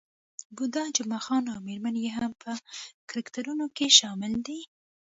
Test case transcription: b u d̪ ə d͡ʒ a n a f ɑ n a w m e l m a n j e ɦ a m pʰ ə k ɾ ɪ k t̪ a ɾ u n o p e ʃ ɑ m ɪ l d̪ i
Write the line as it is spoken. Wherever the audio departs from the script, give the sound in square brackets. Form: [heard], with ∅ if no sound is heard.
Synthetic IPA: b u d̪ [ɑ] d͡ʒ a [m] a [x] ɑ n a w m e [ɾ] m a n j e ɦ a m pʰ ə k ɾ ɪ k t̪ a ɾ u n o [k] e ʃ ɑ m ɪ l d̪ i